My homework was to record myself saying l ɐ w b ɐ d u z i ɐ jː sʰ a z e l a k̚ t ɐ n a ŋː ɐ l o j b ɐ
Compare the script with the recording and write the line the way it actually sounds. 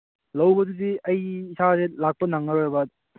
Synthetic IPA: l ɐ w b ɐ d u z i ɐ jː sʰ a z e l a k̚ p ɐ n a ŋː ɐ ɾ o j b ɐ